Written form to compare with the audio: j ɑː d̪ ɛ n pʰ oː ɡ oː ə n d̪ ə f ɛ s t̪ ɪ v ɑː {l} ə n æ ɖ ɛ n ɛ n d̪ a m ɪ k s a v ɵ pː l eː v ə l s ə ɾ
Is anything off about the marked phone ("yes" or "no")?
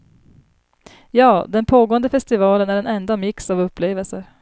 no